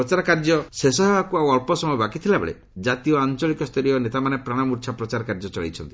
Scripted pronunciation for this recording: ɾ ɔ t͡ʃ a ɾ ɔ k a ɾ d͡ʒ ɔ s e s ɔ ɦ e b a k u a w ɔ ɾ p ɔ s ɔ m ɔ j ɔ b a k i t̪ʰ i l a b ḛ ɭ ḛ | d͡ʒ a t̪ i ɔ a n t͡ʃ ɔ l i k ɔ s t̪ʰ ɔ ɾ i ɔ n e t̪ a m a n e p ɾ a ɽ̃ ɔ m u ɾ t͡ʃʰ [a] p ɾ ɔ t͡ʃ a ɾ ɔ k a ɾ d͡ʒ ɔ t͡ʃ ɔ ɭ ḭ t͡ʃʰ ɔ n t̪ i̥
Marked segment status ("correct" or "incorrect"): correct